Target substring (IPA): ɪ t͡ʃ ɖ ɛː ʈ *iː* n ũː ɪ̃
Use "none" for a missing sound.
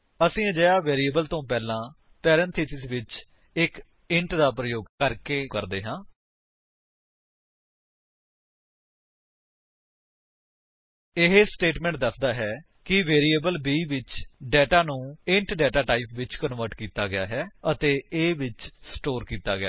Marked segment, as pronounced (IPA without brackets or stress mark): aː